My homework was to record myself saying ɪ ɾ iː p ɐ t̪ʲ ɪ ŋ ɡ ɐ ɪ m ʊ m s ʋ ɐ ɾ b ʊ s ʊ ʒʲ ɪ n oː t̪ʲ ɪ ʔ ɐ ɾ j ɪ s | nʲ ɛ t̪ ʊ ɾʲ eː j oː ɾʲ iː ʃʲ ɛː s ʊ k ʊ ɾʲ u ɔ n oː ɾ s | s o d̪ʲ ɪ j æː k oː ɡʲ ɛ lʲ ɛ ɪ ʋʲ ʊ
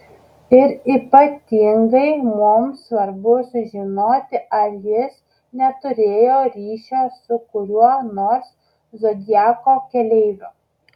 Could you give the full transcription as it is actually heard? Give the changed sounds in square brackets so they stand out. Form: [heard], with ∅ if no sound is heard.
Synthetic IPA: ɪ ɾ iː p ɐ t̪ʲ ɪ ŋ ɡ ɐ ɪ m ʊ m s ʋ ɐ ɾ b ʊ s ʊ ʒʲ ɪ n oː t̪ʲ ɪ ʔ ɐ ɾ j ɪ s | nʲ ɛ t̪ ʊ ɾʲ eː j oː ɾʲ iː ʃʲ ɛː s ʊ k ʊ ɾʲ u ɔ n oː ɾ s | [z] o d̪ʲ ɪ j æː k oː [kʲ] ɛ lʲ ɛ ɪ ʋʲ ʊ